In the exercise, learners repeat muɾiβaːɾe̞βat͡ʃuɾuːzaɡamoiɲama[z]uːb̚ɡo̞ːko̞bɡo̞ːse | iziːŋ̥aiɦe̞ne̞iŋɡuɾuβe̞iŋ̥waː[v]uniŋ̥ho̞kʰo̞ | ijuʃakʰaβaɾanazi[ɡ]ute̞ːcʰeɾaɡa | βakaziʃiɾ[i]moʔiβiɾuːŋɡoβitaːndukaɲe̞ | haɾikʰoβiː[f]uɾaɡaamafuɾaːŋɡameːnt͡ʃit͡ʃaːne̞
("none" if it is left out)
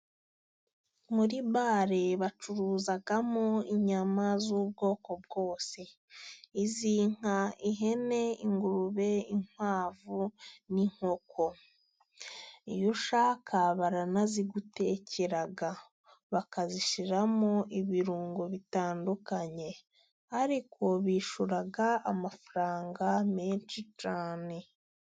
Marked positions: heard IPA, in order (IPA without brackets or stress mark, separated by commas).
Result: z, v, ɡ, a, ʃ